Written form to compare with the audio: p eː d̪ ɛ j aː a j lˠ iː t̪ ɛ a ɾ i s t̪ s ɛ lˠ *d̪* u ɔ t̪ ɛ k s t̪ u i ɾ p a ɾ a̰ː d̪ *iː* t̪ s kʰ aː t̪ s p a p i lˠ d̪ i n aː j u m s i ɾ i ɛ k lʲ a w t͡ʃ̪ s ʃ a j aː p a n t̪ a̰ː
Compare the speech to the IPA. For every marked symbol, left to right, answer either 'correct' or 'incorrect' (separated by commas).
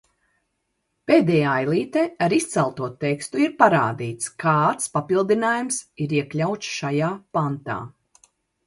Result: incorrect, correct